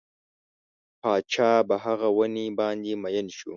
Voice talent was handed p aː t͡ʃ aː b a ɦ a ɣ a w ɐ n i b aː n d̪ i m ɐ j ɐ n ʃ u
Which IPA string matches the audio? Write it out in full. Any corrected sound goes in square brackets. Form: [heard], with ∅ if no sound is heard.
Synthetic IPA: p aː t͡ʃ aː b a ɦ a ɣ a w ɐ n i b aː n d̪ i m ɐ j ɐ n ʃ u